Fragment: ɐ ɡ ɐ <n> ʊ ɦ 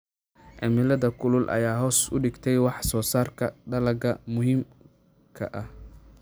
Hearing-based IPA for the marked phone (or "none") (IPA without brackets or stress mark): m